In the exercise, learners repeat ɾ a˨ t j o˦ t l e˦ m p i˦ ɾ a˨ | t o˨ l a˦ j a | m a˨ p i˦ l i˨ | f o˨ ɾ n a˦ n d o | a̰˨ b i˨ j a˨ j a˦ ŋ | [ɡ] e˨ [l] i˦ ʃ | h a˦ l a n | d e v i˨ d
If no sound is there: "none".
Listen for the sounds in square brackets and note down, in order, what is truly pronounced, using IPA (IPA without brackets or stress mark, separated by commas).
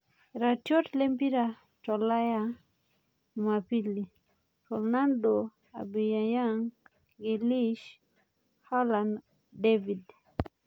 ɡ, l